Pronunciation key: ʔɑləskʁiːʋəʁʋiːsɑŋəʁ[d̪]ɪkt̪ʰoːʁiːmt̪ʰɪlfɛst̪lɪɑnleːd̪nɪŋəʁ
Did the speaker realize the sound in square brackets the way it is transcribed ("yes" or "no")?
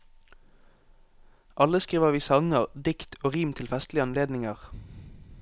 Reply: yes